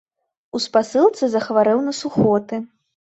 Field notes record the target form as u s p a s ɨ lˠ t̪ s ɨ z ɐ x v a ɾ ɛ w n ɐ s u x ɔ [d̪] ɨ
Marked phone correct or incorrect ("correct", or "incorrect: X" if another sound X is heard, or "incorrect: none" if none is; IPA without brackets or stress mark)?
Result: incorrect: t̪